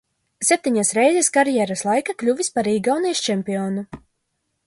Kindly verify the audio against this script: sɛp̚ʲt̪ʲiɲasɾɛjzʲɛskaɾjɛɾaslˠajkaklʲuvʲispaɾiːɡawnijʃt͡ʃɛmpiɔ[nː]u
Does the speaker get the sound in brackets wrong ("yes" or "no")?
yes